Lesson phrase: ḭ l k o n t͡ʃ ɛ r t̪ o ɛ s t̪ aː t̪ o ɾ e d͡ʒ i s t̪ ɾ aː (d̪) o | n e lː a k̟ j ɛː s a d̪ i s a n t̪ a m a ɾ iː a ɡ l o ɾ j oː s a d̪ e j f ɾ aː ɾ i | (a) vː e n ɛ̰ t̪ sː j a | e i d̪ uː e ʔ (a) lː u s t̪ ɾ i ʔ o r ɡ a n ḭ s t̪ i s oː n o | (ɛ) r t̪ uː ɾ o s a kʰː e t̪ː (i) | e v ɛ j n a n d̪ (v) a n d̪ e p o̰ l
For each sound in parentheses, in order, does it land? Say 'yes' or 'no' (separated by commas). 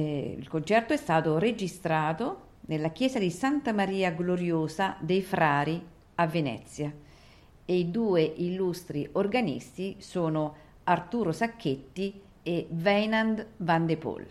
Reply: no, yes, no, no, yes, yes